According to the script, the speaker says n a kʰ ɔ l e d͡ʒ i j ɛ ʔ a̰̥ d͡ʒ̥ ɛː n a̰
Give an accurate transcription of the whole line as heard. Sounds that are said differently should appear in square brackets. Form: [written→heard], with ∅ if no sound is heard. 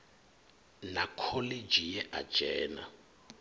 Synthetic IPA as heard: n a kʰ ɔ l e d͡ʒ i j ɛ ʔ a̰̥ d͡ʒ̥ ɛː n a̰